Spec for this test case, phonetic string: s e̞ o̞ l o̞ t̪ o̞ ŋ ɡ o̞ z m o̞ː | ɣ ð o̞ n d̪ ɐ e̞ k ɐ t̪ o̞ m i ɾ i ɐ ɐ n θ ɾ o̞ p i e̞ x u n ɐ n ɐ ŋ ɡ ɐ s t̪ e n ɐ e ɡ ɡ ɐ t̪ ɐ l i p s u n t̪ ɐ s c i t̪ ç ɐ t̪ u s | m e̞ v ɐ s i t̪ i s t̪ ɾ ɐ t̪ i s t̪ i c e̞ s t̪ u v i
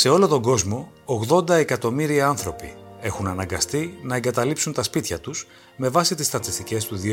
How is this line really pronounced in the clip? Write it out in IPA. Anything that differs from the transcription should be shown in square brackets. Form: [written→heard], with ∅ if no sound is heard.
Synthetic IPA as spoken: s e̞ o̞ l o̞ t̪ o̞ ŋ ɡ o̞ z m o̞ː | ɣ ð o̞ n d̪ ɐ e̞ k ɐ t̪ o̞ m i ɾ i ɐ ɐ n θ ɾ o̞ p i e̞ x u n ɐ n ɐ ŋ ɡ ɐ s t̪ [e→i] n ɐ e [ɡ→ŋ] ɡ ɐ t̪ ɐ l i p s u n t̪ ɐ s [c→p] i t̪ ç ɐ t̪ u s | m e̞ v ɐ s i t̪ i s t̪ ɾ ɐ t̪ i s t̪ i c e̞ s t̪ u [v→ð] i